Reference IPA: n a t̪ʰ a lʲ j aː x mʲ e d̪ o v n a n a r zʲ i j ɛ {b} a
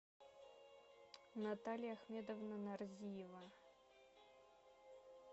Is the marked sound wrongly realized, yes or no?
yes